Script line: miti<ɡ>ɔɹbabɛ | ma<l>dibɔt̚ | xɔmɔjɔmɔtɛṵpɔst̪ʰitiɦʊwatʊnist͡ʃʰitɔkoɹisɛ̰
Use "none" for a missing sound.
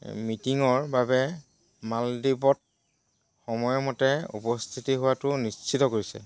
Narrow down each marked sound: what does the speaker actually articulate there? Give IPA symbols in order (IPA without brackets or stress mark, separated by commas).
ŋ, l